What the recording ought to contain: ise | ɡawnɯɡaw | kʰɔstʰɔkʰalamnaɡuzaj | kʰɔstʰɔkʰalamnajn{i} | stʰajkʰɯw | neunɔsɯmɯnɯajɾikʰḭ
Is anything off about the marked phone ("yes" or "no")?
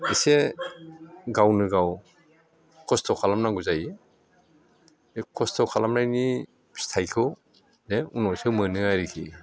no